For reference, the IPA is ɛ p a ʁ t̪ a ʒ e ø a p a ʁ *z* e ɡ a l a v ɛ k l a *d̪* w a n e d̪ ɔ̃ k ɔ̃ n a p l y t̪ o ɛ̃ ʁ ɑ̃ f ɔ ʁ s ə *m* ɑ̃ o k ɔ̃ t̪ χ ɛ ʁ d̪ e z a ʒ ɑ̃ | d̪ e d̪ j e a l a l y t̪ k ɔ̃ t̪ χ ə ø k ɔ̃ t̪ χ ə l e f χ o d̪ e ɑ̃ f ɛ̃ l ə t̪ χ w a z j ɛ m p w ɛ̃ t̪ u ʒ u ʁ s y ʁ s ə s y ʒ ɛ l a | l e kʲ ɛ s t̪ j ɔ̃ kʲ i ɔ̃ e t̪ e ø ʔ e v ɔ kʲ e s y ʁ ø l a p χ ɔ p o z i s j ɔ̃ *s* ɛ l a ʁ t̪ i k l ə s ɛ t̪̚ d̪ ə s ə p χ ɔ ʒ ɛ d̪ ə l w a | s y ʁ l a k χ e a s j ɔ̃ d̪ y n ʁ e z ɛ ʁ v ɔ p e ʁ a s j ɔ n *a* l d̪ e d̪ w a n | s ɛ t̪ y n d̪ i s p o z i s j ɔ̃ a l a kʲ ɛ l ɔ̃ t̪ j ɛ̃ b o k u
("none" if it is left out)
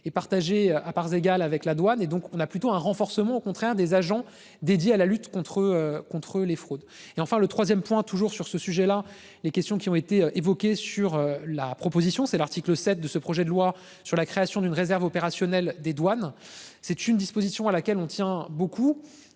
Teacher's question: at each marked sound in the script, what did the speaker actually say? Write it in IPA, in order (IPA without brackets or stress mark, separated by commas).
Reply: z, d̪, m, s, ɛ